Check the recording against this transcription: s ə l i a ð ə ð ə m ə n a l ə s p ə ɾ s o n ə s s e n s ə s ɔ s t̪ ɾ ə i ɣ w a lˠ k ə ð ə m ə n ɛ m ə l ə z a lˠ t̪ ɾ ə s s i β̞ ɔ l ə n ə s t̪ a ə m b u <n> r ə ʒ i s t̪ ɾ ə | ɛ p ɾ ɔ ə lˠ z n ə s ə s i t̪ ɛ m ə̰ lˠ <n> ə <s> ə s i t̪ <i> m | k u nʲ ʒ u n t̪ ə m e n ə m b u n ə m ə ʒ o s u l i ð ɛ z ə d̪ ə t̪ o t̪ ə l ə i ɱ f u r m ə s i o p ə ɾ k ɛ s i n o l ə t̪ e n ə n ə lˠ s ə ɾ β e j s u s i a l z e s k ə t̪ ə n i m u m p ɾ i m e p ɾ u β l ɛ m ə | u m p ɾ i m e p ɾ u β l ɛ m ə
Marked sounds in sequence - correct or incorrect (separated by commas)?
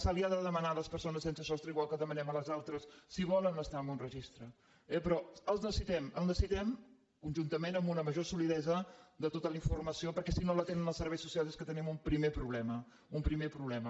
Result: correct, correct, correct, incorrect